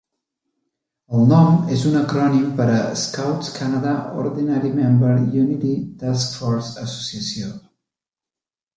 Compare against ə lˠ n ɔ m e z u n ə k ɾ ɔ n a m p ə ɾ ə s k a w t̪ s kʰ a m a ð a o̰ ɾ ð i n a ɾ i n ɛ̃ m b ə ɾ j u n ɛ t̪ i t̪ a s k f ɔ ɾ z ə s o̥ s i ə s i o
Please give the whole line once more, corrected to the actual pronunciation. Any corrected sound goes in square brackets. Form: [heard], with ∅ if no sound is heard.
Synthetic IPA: ə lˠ n ɔ m e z u n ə k ɾ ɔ n [i] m p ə ɾ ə s k a w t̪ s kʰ a [n] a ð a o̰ ɾ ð i n a ɾ i [m] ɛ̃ m b ə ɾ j u n [i] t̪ i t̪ a s k f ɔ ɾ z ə s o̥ s i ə s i o